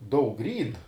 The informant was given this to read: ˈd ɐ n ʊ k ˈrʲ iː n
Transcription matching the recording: ˈd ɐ ʊ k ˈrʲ iː n